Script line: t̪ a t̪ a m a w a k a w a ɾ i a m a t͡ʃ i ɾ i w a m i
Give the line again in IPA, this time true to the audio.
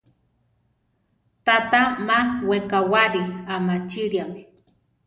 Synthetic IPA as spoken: t̪ a t̪ a m a w e k a w a ɾ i a m a t͡ʃ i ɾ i a m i